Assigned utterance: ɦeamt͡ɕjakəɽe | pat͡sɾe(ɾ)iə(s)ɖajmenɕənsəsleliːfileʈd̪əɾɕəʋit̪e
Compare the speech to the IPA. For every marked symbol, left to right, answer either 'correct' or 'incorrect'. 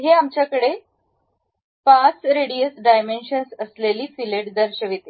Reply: incorrect: ɽ, correct

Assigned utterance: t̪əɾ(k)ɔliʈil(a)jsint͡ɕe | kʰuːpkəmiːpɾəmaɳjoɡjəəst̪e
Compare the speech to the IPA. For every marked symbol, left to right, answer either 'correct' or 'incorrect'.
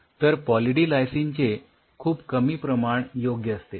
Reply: incorrect: p, correct

